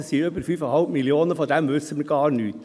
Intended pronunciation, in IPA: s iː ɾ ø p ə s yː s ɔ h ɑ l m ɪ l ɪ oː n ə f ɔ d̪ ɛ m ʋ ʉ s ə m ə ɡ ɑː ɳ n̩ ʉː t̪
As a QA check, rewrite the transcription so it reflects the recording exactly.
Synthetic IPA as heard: s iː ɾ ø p ə f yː f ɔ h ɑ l m ɪ l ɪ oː n ə f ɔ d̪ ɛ m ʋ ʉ s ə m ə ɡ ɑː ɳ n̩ ʉː t̪